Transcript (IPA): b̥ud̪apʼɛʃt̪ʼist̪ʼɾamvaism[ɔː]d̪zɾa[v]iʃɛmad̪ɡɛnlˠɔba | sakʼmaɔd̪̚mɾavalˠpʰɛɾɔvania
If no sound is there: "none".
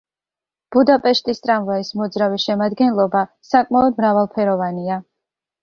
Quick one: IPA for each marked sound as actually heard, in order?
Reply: ɔ, v

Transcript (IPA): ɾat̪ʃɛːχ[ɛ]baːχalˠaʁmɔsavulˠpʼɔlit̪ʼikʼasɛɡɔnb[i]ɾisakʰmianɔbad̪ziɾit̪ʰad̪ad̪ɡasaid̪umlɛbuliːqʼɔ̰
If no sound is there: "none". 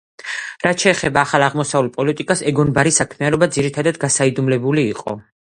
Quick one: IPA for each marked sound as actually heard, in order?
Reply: ɛ, a

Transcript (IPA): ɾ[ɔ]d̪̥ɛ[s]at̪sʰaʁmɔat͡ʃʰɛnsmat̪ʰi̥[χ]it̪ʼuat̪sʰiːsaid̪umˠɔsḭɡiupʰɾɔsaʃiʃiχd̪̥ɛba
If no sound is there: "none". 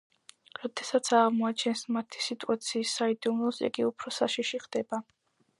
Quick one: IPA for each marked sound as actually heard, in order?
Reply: ɔ, s, s

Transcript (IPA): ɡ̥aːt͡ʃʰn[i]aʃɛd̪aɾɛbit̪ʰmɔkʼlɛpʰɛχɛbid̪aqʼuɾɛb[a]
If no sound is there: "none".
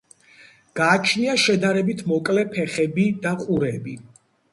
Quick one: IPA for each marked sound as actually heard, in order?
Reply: i, i

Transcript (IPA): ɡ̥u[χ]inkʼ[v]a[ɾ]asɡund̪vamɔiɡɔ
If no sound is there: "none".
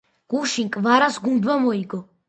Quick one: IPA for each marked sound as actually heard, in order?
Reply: ʃ, v, ɾ

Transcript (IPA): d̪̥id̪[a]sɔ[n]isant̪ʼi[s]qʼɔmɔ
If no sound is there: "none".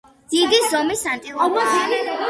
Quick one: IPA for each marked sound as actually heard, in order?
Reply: i, m, none

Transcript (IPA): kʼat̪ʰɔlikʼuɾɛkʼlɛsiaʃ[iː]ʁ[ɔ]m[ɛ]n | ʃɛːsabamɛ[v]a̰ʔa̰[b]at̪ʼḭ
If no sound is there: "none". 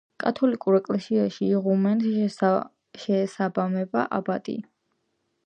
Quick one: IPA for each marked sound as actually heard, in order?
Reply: iː, u, ɛ, b, b

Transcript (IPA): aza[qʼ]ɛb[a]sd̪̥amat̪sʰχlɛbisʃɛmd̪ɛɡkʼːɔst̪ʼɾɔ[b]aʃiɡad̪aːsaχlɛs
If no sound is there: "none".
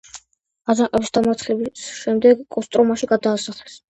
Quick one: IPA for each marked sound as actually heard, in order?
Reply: qʼ, i, m

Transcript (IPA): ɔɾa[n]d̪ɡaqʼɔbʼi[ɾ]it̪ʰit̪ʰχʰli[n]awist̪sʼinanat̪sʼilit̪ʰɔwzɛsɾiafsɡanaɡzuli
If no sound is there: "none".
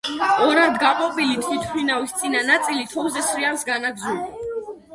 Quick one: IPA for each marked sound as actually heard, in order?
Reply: n, l, n

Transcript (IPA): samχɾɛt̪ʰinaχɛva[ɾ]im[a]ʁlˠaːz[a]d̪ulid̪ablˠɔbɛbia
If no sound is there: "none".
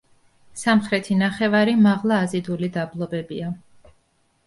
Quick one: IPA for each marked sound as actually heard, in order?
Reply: ɾ, a, i

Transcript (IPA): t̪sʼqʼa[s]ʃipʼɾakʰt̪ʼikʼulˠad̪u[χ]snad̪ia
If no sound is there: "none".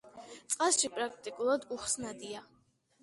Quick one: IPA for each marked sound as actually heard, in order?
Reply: s, χ

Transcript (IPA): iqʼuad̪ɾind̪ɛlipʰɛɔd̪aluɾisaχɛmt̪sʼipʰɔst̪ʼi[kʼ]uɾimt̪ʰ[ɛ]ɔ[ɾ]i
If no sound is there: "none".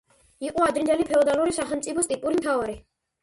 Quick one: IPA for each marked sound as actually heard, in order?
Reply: pʼ, a, ɾ

